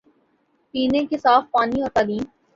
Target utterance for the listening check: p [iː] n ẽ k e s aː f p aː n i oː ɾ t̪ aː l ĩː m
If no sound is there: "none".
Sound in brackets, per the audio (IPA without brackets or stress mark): iː